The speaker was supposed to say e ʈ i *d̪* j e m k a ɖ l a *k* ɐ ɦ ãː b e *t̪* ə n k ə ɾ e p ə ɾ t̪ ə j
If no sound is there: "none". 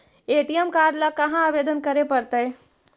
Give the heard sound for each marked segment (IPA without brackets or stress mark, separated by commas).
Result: none, k, d̪